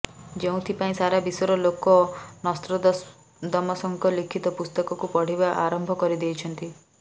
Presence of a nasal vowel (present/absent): present